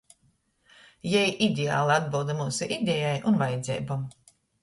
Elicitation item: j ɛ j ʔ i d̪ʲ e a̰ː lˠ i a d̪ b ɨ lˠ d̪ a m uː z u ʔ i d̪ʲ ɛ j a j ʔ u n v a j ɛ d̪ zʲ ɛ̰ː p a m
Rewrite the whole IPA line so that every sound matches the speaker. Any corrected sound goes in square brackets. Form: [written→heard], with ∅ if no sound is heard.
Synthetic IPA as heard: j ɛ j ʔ i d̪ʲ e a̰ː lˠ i a d̪ b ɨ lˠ d̪ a m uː [z→s] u ʔ i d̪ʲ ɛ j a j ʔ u n v a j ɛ d̪ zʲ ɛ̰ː [p→b] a m